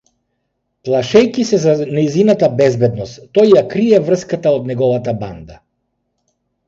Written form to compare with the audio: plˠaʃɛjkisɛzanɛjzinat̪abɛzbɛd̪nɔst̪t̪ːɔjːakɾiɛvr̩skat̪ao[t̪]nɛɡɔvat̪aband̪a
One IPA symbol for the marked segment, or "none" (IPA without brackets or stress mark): d̪